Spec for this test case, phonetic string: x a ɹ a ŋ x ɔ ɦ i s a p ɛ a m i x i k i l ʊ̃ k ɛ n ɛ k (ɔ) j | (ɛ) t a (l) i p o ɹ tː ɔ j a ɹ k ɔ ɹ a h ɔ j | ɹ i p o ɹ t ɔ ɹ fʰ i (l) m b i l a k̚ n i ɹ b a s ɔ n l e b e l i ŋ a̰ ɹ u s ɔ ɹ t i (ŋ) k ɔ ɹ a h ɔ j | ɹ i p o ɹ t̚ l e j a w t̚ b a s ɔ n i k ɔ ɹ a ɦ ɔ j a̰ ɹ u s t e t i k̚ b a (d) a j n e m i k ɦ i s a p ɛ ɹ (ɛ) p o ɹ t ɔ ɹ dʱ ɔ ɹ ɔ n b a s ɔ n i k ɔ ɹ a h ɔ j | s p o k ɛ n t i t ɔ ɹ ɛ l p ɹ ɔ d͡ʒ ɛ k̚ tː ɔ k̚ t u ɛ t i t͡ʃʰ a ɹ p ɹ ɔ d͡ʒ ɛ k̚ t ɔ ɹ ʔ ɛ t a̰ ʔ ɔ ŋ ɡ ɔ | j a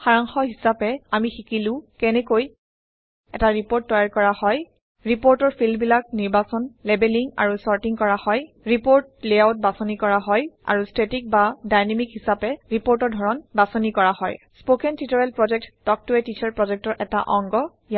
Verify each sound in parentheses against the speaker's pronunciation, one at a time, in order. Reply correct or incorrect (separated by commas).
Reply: incorrect, correct, incorrect, correct, correct, correct, incorrect